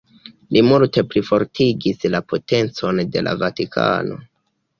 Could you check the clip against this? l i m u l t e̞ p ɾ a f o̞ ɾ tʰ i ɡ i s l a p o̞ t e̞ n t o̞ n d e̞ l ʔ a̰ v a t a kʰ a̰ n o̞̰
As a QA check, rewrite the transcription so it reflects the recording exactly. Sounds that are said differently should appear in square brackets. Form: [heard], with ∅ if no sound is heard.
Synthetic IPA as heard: l i m u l t e̞ p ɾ [i] f o̞ ɾ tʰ i ɡ i s l a p o̞ t e̞ n [t͡s] o̞ n d e̞ l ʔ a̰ v a t [i] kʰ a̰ n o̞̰